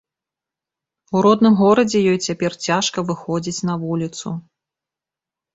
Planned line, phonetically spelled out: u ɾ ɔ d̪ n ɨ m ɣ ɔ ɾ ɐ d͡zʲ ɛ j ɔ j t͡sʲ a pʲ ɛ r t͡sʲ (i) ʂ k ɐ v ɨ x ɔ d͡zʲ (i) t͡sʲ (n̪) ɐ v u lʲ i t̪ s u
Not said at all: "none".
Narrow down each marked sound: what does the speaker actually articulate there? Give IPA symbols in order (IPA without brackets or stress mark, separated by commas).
a, i, n̪